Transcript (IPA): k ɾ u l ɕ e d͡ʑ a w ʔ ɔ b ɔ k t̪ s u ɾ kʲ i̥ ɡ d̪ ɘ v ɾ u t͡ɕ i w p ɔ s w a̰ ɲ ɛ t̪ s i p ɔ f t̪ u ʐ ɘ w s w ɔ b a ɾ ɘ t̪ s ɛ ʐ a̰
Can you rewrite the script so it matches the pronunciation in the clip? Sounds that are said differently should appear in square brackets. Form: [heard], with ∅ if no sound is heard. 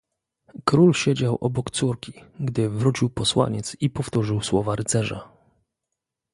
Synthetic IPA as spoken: k ɾ u l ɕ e d͡ʑ a w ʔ ɔ b ɔ k t̪ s u ɾ kʲ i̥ ɡ d̪ ɘ v ɾ u t͡ɕ i w p ɔ s w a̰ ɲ ɛ t̪ s i p ɔ f t̪ u ʐ ɘ w s w ɔ [v] a ɾ ɘ t̪ s ɛ ʐ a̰